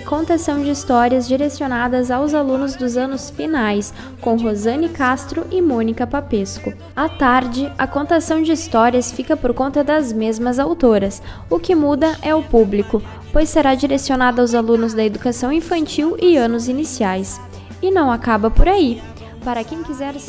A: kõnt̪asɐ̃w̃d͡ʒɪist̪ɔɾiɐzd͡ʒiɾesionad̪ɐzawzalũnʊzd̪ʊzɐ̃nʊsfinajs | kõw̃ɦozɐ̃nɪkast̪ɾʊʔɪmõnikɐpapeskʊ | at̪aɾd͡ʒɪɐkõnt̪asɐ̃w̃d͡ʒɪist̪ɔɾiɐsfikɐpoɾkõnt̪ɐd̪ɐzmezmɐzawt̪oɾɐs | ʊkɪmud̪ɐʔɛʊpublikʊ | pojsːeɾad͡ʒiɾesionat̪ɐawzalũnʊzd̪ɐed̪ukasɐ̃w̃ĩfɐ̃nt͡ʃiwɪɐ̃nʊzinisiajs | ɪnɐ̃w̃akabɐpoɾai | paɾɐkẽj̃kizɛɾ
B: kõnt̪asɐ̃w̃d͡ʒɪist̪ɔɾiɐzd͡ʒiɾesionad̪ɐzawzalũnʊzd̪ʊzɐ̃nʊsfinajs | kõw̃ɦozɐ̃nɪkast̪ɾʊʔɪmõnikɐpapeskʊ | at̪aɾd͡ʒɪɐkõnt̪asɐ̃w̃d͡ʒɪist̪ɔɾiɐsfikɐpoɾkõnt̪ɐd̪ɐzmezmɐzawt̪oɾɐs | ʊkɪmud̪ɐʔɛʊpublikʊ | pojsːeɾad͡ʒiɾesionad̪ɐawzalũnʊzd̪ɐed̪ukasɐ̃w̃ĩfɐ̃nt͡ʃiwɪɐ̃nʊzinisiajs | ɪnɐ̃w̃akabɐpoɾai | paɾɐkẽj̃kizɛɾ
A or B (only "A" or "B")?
B